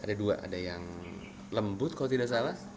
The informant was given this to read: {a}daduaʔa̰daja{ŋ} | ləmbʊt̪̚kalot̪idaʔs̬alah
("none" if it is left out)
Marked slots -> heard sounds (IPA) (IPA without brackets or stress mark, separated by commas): a, ŋ